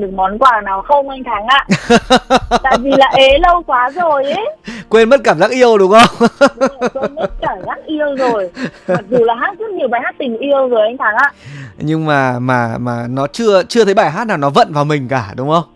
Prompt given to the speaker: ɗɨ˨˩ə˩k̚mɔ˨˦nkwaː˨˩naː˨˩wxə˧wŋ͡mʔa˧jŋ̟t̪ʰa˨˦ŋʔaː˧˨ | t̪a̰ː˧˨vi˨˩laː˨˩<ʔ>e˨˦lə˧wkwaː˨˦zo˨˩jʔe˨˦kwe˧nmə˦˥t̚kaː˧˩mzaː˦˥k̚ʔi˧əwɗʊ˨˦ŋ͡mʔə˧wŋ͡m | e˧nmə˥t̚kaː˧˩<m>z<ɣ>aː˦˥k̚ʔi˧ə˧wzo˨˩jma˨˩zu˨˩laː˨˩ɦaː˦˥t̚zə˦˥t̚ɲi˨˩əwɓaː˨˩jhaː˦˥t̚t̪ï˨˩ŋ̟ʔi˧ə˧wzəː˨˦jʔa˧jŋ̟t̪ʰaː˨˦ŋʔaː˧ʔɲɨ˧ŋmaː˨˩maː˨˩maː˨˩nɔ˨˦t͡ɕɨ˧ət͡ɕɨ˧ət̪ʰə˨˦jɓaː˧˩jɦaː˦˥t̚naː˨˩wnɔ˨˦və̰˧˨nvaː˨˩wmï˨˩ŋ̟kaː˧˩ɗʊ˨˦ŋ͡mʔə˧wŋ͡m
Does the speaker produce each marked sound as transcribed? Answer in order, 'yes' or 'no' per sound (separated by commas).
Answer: yes, yes, no